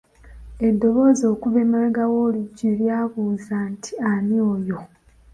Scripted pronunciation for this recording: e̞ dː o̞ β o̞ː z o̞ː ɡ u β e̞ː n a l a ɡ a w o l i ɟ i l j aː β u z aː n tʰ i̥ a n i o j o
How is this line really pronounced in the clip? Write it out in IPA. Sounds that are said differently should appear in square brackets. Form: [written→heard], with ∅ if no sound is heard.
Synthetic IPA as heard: e̞ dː o̞ β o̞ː z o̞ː [ɡ→k] u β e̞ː [n→m] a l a ɡ a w o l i ɟ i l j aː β u z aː n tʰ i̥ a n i o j o